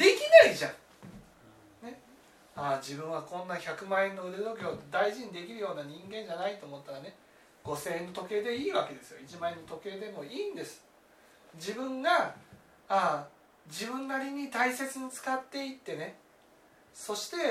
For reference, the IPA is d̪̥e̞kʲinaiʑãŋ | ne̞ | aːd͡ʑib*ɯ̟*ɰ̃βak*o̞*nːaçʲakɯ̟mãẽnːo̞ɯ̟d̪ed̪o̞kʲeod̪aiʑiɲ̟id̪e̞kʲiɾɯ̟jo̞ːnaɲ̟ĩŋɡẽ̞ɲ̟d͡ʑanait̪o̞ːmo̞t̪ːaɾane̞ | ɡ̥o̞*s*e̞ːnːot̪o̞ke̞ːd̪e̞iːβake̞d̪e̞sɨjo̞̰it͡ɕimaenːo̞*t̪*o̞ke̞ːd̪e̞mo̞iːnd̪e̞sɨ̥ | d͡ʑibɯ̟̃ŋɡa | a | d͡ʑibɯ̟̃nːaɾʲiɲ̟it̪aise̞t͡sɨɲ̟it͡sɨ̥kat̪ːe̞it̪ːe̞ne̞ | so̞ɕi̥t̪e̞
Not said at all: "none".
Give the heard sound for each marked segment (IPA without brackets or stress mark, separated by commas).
ɯ̟̃, õ̞, s, t̪